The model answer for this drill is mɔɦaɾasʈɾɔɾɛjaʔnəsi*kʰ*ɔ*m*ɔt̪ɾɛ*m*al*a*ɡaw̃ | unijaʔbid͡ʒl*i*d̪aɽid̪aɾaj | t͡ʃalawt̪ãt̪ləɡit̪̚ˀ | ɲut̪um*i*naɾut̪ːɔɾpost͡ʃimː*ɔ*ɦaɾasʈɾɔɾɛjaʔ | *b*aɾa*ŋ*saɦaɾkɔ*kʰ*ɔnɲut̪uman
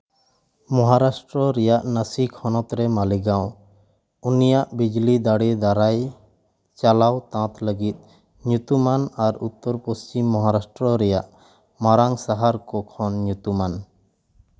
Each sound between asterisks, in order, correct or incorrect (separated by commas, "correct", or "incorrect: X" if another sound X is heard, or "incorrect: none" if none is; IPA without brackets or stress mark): correct, incorrect: n, correct, incorrect: i, correct, incorrect: a, correct, incorrect: m, correct, correct